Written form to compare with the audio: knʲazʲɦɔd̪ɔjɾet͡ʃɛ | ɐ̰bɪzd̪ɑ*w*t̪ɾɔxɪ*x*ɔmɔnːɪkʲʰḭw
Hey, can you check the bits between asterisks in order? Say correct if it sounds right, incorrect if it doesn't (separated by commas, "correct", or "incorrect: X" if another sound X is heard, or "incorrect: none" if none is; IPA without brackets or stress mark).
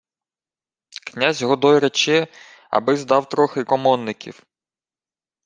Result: correct, incorrect: k